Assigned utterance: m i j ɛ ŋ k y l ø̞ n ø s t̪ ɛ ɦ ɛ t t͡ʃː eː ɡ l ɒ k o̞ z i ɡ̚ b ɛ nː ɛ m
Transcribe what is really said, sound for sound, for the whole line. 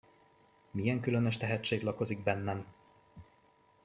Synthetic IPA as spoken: m i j ɛ ŋ k y l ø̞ n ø ʃ t̪ ɛ ɦ ɛ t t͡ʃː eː ɡ l ɒ k o̞ z i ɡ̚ b ɛ nː ɛ m